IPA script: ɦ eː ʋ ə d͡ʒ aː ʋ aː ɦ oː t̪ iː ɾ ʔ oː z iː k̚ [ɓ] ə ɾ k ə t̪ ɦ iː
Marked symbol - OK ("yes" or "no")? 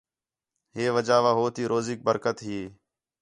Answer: no